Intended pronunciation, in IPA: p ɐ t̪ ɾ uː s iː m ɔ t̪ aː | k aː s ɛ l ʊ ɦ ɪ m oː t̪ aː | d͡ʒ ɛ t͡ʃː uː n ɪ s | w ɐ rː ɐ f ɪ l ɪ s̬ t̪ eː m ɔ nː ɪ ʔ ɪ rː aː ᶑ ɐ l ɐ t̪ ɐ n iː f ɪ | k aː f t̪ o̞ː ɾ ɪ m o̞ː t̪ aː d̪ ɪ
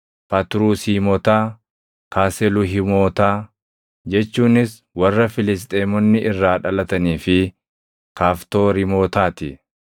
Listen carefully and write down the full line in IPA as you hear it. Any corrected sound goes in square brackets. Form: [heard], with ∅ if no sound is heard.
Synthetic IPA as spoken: p ɐ t̪ ɾ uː s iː m ɔ t̪ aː | k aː s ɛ l ʊ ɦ ɪ m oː t̪ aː | d͡ʒ ɛ t͡ʃː uː n ɪ s | w ɐ rː ɐ f ɪ l ɪ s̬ [t̪ʼ] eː m ɔ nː ɪ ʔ ɪ rː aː ᶑ ɐ l ɐ t̪ ɐ n iː f ɪ | k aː f t̪ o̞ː ɾ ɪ m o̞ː t̪ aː [t̪] ɪ

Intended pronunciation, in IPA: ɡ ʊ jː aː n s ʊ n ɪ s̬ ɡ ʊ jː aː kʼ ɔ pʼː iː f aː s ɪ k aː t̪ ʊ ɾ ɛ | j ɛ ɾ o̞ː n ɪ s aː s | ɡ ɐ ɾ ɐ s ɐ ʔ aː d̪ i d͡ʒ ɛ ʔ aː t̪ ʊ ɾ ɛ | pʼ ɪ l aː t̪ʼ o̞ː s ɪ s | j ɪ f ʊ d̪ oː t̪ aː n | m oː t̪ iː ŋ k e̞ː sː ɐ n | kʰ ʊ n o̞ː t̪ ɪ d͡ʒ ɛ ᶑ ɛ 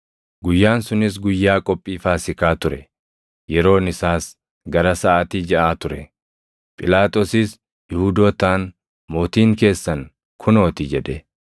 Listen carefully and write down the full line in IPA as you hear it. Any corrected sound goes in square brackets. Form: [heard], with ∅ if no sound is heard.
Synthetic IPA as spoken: ɡ ʊ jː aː n s ʊ n ɪ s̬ ɡ ʊ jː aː kʼ ɔ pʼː iː f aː s ɪ k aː t̪ ʊ ɾ ɛ | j ɛ ɾ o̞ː n ɪ s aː s | ɡ ɐ ɾ ɐ s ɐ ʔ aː [t̪] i d͡ʒ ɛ ʔ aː t̪ ʊ ɾ ɛ | pʼ ɪ l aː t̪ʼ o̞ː s ɪ s | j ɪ [h] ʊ d̪ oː t̪ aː n | m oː t̪ iː ŋ k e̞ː sː ɐ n | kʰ ʊ n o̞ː t̪ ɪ d͡ʒ ɛ ᶑ ɛ

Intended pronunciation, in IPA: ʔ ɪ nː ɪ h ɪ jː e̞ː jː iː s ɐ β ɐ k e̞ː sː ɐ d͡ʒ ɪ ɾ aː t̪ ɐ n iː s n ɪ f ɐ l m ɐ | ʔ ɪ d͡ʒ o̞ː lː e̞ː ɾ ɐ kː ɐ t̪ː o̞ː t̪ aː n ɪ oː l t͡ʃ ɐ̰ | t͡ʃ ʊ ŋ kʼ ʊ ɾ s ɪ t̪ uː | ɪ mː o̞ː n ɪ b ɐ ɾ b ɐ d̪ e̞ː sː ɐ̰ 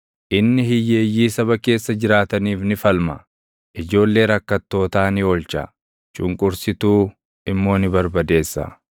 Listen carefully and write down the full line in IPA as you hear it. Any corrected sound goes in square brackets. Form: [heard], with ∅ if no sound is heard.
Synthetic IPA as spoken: ʔ ɪ nː ɪ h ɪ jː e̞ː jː iː s ɐ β ɐ k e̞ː sː ɐ d͡ʒ ɪ ɾ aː t̪ ɐ n iː [f] n ɪ f ɐ l m ɐ | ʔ ɪ d͡ʒ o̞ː lː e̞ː ɾ ɐ kː ɐ t̪ː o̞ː t̪ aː n ɪ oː l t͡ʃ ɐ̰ | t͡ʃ ʊ ŋ kʼ ʊ ɾ s ɪ t̪ uː | ɪ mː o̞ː n ɪ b ɐ ɾ b ɐ d̪ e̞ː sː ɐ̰

